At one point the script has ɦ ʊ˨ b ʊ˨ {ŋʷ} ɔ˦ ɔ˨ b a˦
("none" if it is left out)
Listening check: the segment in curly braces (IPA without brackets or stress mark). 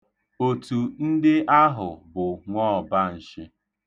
ŋʷ